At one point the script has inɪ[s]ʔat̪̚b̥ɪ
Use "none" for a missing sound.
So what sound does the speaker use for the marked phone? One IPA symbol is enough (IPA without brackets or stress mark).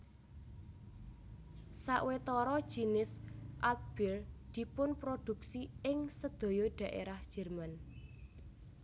s